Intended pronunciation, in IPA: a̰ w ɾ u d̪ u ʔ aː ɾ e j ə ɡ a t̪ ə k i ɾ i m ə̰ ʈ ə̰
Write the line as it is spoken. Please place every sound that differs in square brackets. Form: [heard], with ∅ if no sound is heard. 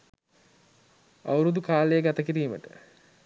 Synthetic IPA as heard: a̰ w ɾ u d̪ u [k] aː [l] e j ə ɡ a t̪ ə k i ɾ [iː] m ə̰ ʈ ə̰